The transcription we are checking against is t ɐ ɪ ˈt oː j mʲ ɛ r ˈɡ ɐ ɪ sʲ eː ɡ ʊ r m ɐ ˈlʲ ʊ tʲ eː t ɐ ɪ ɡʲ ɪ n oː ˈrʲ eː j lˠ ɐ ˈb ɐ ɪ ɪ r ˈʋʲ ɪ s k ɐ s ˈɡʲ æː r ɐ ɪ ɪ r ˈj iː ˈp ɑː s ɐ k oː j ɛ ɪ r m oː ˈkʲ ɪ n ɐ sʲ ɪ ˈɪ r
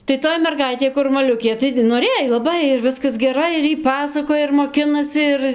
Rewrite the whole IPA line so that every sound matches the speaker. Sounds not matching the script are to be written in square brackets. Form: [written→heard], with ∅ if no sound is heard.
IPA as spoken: t ɐ ɪ ˈt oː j mʲ ɛ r ˈɡ ɐ ɪ [sʲ→tʲ] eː [ɡ→k] ʊ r m ɐ ˈlʲ ʊ [tʲ→kʲ] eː t ɐ ɪ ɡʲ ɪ n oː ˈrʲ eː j lˠ ɐ ˈb ɐ ɪ ɪ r ˈʋʲ ɪ s k ɐ s ˈɡʲ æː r ɐ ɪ ɪ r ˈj iː ˈp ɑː s ɐ k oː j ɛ ɪ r m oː ˈkʲ ɪ n ɐ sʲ ɪ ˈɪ r